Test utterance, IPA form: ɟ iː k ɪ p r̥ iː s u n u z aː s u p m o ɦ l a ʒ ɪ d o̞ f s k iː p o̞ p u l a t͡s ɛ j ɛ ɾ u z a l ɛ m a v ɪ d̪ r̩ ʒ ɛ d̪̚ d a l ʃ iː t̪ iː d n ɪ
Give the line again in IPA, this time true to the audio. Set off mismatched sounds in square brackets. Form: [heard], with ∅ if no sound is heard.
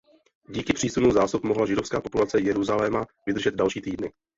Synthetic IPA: ɟ iː k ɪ p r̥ iː s u n u z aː s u p m o ɦ l a ʒ ɪ d o̞ f s k [aː] p o̞ p u l a t͡s ɛ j ɛ ɾ u z a l ɛ m a v ɪ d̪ r̩ ʒ ɛ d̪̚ d a l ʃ iː t̪ iː d n ɪ